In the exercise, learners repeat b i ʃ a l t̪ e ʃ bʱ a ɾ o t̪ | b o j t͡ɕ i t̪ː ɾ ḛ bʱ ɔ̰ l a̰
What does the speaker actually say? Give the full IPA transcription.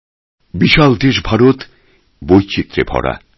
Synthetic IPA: b i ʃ a l d̪ e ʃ bʱ a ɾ o t̪ | b o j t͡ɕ i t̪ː ɾ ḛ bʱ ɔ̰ ɽ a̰